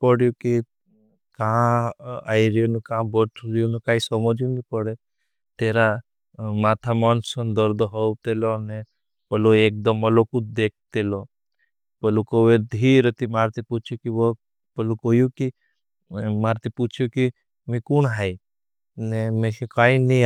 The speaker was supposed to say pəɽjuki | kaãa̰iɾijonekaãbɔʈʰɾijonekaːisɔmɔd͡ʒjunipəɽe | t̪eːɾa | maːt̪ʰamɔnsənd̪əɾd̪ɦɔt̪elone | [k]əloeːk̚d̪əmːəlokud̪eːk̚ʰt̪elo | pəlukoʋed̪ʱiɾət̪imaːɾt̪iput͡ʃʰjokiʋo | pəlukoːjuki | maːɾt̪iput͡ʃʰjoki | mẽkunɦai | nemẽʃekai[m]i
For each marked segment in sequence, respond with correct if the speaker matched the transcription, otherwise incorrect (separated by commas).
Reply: incorrect, incorrect